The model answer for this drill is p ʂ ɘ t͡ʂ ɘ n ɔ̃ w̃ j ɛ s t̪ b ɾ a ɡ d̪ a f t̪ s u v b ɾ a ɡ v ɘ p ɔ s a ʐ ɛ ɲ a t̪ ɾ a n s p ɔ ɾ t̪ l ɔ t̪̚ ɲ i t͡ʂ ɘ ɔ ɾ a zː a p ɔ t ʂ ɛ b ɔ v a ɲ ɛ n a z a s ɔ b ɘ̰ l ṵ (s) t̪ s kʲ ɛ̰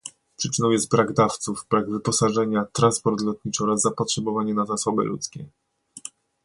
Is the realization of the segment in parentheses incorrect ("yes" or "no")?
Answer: yes